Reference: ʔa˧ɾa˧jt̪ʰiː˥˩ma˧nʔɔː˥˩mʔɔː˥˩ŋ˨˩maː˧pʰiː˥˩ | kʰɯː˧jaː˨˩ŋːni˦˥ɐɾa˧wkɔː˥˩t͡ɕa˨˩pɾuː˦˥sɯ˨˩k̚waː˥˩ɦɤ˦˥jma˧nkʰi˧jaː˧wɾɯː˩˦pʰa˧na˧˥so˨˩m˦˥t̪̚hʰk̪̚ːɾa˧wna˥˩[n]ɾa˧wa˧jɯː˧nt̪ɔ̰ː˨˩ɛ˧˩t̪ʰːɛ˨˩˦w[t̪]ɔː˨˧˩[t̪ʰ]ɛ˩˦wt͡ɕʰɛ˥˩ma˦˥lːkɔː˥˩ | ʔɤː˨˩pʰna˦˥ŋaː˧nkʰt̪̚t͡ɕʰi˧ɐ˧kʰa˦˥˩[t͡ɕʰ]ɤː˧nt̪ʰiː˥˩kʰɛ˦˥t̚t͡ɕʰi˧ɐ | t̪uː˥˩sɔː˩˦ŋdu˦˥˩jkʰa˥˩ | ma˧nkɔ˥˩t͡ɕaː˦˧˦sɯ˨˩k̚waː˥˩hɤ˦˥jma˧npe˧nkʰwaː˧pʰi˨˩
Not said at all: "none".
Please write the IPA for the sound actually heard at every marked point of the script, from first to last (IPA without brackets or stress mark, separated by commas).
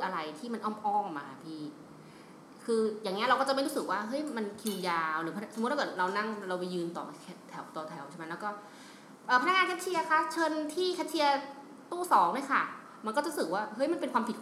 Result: ŋ, t̪, t̪ʰ, t͡ɕʰ